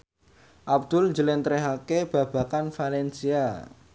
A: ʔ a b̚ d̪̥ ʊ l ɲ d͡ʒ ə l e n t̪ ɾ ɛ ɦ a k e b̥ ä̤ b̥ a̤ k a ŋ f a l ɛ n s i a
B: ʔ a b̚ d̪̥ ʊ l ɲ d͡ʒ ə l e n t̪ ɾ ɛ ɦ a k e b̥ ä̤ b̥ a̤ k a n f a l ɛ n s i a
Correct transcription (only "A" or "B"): B